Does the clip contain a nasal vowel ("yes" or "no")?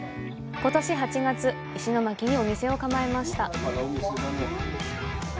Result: no